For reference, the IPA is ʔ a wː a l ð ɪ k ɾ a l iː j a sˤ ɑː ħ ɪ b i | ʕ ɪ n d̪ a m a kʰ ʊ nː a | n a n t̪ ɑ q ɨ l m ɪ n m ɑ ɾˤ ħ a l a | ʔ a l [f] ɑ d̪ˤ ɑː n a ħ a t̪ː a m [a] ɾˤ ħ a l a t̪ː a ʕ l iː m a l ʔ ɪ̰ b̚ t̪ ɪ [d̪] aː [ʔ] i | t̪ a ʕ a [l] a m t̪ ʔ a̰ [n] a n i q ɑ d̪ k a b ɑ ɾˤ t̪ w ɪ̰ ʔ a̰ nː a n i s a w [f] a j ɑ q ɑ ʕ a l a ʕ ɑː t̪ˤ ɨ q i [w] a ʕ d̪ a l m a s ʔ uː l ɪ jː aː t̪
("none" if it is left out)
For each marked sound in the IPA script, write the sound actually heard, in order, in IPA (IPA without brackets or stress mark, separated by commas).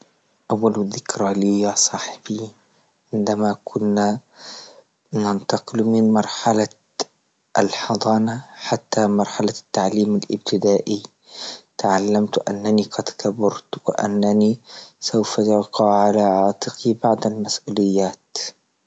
ħ, ɑ, d̪, ʔ, lː, nː, f, b